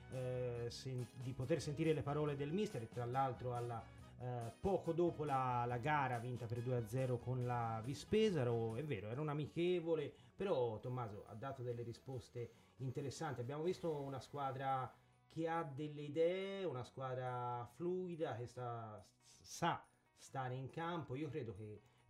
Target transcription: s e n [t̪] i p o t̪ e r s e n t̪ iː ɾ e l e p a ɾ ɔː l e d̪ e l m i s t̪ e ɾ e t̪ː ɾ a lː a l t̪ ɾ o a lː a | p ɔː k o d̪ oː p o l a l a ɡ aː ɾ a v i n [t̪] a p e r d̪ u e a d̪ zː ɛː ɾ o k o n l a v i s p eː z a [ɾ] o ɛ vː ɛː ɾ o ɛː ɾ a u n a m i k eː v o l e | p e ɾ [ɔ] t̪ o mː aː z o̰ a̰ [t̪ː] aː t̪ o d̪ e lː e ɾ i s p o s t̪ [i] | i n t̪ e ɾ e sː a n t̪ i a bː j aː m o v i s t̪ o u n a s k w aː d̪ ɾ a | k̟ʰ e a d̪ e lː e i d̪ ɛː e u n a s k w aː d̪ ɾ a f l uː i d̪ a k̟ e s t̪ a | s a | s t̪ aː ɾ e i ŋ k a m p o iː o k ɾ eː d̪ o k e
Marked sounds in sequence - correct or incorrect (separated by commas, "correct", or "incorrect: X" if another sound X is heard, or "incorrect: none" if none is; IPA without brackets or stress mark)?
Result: incorrect: d̪, correct, correct, correct, incorrect: d̪ː, incorrect: e